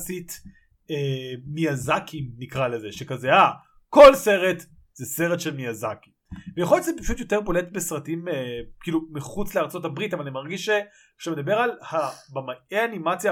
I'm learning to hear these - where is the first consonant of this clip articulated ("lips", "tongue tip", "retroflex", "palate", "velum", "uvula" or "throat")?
tongue tip